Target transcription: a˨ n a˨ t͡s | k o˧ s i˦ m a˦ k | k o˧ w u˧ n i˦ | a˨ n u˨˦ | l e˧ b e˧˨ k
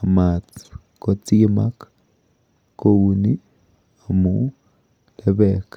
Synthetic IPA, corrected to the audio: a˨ m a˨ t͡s | k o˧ t͡s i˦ m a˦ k | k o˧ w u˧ n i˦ | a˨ m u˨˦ | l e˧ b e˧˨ k